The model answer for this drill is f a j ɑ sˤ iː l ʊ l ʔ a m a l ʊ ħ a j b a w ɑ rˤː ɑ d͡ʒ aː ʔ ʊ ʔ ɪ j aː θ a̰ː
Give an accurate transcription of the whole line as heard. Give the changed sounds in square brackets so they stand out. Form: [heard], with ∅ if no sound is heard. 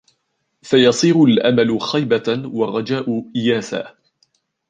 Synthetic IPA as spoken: f a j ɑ sˤ iː [ɾ] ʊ l ʔ a m a l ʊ [x] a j b a w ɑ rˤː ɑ d͡ʒ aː ʔ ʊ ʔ ɪ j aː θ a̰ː